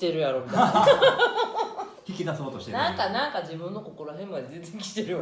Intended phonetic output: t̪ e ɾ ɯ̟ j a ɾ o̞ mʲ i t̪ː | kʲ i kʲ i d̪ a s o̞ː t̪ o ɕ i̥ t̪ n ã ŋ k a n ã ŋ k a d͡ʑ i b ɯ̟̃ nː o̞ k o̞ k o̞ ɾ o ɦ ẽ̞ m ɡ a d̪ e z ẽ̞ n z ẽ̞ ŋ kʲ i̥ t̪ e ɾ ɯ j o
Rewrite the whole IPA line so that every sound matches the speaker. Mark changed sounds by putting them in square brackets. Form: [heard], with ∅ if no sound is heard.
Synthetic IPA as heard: t̪ e ɾ ɯ̟ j a ɾ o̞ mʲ i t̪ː | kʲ i kʲ i d̪ a s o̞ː t̪ o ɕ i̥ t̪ n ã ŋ k a n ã ŋ k a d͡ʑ i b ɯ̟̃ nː o̞ k o̞ k o̞ ɾ o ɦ ẽ̞ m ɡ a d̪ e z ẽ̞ n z ẽ̞ ŋ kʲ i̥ t̪ e ɾ ɯ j o